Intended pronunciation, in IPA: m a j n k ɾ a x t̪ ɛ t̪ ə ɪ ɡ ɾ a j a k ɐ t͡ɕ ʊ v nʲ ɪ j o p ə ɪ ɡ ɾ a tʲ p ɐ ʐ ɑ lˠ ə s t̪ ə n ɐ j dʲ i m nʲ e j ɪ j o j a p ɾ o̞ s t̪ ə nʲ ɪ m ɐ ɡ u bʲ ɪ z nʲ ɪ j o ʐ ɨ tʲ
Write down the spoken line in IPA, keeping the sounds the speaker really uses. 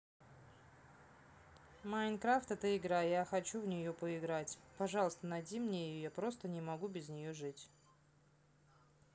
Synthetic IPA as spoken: m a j n k ɾ a f t̪ ɛ t̪ ə ɪ ɡ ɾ a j a x ɐ t͡ɕ u v nʲ ɪ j o p ə ɪ ɡ ɾ a tʲ p ɐ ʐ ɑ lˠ ə s t̪ ə n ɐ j dʲ i m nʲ e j ɪ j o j a p ɾ o̞ s t̪ ə nʲ ɪ m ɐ ɡ u bʲ ɪ z nʲ ɪ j o ʐ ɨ tʲ

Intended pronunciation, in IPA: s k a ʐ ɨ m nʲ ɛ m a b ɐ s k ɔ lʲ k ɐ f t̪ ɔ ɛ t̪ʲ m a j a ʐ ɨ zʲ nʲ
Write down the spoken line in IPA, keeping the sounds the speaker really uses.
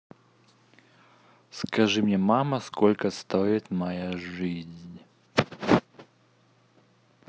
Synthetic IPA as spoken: s k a ʐ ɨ m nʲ ɛ m a m ɐ s k ɔ lʲ k ɐ s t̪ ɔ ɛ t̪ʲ m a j a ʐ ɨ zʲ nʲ

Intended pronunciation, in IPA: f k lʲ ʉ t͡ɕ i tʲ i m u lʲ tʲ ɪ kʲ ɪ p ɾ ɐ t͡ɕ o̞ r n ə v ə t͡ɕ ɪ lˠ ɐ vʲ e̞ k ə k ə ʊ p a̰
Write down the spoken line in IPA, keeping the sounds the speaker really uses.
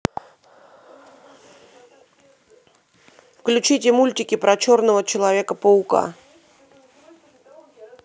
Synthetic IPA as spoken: f k lʲ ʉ t͡ɕ i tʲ ɪ m u lʲ tʲ ɪ kʲ ɪ p ɾ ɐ t͡ɕ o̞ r n ə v ə t͡ɕ ɪ lˠ ɐ vʲ e̞ k ə p ə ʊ k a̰

